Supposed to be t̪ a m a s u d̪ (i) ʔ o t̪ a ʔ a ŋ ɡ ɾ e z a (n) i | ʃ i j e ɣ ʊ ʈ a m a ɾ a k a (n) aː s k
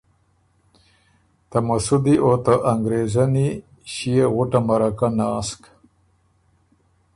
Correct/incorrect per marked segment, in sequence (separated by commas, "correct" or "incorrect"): correct, correct, correct